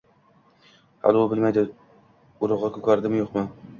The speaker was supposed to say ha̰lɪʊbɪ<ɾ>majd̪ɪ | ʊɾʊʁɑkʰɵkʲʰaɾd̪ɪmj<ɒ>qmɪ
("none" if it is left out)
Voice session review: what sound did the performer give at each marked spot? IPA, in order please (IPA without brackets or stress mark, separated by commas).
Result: l, o